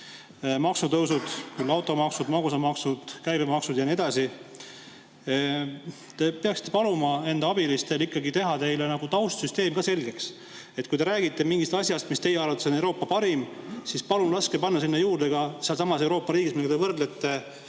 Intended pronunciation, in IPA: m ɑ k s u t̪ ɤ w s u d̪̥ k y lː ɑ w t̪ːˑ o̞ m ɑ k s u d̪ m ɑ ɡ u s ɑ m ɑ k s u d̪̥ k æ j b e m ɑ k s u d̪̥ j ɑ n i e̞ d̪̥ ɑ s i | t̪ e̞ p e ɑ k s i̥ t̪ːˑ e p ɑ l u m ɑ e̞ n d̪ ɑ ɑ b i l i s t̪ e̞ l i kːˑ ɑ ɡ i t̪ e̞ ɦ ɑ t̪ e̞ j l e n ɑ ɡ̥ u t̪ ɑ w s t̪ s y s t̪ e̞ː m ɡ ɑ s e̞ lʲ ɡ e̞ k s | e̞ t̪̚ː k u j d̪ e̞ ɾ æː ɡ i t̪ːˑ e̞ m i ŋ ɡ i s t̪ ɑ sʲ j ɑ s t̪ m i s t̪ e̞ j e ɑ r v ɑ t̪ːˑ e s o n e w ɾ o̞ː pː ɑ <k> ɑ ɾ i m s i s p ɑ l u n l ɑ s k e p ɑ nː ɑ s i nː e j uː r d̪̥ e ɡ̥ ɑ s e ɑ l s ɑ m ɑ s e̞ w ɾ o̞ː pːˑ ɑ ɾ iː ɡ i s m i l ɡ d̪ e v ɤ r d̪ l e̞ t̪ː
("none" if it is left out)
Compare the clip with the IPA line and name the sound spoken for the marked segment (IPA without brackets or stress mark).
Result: p